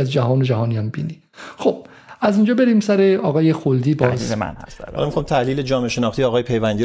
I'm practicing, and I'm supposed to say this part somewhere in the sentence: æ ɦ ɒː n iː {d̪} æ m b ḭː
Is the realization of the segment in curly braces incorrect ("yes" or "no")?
yes